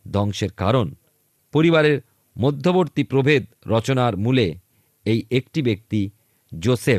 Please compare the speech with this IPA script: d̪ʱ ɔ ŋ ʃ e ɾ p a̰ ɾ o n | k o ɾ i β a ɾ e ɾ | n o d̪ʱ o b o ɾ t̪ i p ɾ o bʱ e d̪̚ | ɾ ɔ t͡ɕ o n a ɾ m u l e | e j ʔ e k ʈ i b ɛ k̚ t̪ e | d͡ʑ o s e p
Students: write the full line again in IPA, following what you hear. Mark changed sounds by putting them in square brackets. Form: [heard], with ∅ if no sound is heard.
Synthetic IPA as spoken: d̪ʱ ɔ ŋ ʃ e ɾ [k] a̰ ɾ o n | [p] o ɾ i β a ɾ e ɾ | [m] o [d̪ʱː] o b o ɾ t̪ i p ɾ o bʱ e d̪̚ | ɾ ɔ t͡ɕ o n a ɾ m u l e | e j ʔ e k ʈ i b [e] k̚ t̪ [i] | d͡ʑ o s e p